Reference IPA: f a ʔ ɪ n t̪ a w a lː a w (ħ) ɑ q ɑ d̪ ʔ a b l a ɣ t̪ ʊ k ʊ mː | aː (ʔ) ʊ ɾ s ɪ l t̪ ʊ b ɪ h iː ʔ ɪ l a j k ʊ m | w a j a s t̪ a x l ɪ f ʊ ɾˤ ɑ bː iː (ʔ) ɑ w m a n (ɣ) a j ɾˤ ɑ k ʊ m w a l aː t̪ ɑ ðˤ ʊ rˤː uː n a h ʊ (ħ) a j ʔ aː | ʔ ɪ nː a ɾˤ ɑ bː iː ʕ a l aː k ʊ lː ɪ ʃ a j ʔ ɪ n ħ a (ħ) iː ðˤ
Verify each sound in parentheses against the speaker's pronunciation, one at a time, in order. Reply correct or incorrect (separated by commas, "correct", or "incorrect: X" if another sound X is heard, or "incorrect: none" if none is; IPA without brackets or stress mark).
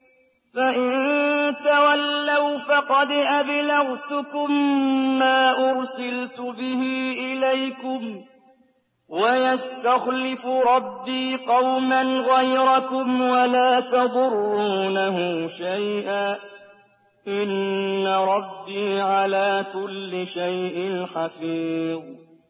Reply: incorrect: f, correct, incorrect: q, correct, incorrect: ʃ, incorrect: f